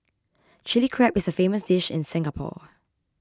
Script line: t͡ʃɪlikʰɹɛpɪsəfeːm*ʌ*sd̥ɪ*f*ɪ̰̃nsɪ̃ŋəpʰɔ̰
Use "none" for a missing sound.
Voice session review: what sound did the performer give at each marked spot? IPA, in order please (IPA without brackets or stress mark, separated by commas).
ə, ʃ